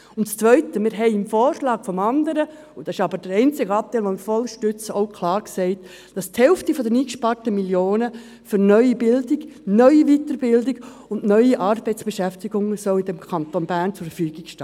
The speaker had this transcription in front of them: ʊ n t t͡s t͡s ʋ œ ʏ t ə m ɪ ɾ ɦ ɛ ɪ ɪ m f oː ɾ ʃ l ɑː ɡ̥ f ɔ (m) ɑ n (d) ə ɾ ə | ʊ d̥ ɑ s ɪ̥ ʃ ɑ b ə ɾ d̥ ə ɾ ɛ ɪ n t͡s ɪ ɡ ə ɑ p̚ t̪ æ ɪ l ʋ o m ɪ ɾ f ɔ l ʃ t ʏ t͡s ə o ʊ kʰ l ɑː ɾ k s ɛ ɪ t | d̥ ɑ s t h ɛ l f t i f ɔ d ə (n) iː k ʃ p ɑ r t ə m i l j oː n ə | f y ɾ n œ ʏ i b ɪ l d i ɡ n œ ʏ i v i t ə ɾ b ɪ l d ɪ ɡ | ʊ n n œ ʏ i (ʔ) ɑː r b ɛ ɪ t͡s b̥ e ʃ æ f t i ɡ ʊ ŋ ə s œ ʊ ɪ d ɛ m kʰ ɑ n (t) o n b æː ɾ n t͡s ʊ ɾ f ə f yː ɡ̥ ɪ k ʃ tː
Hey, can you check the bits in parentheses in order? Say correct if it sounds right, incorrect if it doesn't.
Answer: correct, correct, correct, correct, correct

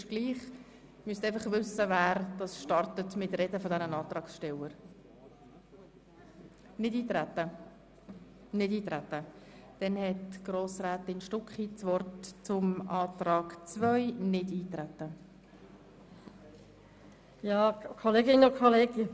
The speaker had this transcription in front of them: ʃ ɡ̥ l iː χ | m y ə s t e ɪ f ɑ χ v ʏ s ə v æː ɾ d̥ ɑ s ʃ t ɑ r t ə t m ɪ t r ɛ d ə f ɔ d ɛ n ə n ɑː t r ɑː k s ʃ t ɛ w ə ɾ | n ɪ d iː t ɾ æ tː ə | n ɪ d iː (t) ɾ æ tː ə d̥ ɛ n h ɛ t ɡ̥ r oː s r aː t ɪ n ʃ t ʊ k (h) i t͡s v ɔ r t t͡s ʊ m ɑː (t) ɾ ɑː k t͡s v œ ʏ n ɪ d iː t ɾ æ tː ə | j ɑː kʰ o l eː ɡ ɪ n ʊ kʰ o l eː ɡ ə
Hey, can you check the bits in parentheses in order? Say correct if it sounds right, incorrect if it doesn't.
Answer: correct, incorrect: χ, correct

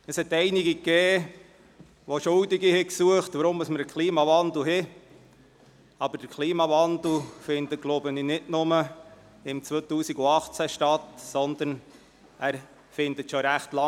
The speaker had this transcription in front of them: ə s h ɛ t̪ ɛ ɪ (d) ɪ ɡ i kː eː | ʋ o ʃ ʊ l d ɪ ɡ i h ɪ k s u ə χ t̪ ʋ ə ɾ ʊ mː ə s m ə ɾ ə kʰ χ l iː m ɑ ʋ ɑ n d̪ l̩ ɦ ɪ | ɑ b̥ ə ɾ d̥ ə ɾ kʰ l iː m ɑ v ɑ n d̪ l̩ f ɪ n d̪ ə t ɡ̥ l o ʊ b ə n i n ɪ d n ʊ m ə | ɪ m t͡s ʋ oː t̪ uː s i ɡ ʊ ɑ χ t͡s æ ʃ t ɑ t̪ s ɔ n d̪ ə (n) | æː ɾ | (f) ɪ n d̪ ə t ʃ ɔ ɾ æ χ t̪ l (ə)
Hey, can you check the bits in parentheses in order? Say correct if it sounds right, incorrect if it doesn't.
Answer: incorrect: n, correct, correct, incorrect: ɑ

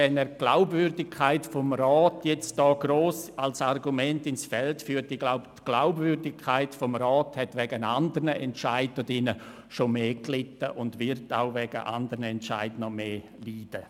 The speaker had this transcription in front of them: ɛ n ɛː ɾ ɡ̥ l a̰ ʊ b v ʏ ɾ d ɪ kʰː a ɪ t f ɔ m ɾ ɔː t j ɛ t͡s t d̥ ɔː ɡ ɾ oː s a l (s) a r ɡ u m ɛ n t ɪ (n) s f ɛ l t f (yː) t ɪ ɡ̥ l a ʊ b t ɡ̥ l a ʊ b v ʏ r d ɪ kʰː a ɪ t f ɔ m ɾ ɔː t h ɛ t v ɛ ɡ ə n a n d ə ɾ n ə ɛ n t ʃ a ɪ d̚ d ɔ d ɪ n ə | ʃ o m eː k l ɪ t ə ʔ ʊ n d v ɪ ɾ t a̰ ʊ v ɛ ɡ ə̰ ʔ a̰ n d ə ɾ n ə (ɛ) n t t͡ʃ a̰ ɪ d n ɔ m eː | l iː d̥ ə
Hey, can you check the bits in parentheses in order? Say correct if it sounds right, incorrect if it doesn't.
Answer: correct, correct, correct, correct

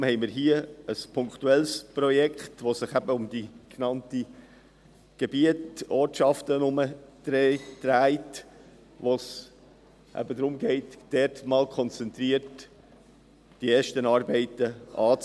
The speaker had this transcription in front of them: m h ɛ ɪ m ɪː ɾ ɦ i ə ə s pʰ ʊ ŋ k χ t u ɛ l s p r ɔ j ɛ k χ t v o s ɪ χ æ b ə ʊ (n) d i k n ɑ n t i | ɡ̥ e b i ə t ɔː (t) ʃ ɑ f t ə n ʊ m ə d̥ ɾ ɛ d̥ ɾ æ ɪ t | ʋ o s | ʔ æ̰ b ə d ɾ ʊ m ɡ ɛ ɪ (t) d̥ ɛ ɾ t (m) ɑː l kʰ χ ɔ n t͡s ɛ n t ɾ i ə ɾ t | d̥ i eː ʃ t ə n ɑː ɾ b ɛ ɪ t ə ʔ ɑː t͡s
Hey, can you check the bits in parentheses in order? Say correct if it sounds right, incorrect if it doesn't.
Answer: incorrect: m, correct, correct, correct

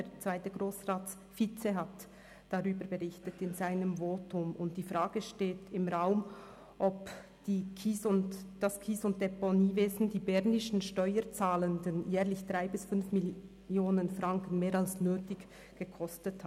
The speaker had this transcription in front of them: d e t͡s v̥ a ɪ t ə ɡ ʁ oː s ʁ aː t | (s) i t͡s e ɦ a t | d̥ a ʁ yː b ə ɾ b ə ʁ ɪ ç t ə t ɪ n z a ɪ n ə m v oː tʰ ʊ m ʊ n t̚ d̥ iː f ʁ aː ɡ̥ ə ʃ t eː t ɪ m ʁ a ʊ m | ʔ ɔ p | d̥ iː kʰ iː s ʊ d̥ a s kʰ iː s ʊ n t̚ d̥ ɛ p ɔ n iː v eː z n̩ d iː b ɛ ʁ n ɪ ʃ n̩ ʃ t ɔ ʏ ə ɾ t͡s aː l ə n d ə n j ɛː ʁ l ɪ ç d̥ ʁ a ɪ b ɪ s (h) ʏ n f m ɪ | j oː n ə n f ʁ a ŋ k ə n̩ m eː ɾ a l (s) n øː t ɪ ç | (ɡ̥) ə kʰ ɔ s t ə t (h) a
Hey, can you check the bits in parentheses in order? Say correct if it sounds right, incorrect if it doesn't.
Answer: incorrect: f, incorrect: f, correct, correct, correct

